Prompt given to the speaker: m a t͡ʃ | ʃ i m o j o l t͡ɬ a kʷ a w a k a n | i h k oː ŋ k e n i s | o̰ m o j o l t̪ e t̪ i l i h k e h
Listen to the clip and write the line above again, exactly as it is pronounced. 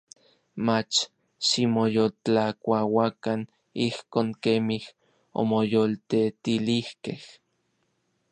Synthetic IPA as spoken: m a t͡ʃ | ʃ i m o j o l t͡ɬ a kʷ a w a k a n | i h k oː ŋ k e m i h | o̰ m o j o l t̪ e t̪ i l i h k e h

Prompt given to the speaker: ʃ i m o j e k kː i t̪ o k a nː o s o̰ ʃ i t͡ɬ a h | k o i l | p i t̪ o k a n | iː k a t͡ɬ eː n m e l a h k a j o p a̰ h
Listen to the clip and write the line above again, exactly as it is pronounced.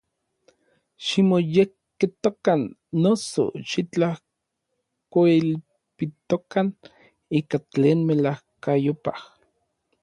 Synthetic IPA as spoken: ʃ i m o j e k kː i t̪ o k a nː o s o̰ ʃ i t͡ɬ a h | k o i l | p i t̪ o k a n | iː k a t͡ɬ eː n m e l a h k a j o p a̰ h

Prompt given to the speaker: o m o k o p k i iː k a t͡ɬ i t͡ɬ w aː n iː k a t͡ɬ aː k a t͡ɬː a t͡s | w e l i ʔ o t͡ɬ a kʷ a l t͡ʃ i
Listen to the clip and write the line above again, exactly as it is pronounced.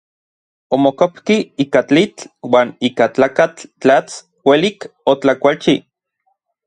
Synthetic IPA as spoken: o m o k o p k i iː k a t͡ɬ i t͡ɬ w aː n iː k a t͡ɬ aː k a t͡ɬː a t͡s | w e l i k o t͡ɬ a kʷ a l t͡ʃ i

